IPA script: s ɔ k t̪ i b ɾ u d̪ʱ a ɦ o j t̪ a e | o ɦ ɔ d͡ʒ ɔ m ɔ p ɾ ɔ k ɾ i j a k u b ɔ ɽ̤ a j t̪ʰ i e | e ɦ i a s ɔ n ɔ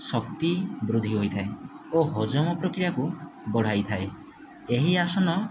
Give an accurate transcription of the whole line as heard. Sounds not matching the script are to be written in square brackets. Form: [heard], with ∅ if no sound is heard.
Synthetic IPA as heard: s ɔ k t̪ i b ɾ u d̪ʱ [i] ɦ o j [t̪ʰ] a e | o ɦ ɔ d͡ʒ ɔ m ɔ p ɾ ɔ k ɾ i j a k u b ɔ ɽ̤ a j t̪ʰ [a] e | e ɦ i a s ɔ n ɔ

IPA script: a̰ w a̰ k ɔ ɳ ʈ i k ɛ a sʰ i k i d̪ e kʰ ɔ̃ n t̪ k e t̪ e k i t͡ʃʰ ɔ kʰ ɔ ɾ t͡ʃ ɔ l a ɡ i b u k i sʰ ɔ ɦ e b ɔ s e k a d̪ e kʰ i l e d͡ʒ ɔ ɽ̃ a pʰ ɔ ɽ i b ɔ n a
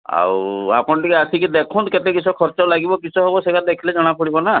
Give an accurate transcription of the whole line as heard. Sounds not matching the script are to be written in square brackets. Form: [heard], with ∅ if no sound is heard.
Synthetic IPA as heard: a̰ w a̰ [p] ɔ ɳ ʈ i k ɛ a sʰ i k i d̪ e kʰ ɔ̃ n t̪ k e t̪ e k i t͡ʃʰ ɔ kʰ ɔ ɾ t͡ʃ ɔ l a ɡ i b [ɔ] k i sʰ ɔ ɦ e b ɔ s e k a d̪ e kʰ i l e d͡ʒ ɔ ɽ̃ a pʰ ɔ ɽ i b ɔ n a

